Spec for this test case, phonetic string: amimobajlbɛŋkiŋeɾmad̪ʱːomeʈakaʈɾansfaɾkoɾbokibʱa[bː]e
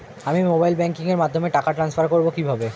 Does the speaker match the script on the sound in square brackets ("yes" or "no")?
no